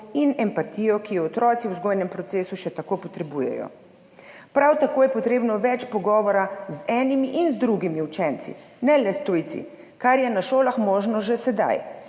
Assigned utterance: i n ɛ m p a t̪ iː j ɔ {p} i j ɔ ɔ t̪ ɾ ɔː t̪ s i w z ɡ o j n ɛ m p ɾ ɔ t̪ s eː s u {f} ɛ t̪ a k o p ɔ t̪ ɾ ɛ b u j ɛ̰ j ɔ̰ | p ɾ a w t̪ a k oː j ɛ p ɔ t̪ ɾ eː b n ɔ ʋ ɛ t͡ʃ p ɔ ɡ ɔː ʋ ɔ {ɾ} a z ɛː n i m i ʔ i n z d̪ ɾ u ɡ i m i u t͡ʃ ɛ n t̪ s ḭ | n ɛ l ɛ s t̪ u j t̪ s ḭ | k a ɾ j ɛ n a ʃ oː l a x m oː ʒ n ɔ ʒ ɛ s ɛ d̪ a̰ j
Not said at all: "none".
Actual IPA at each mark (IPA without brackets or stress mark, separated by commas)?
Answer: k, ʃ, ɾ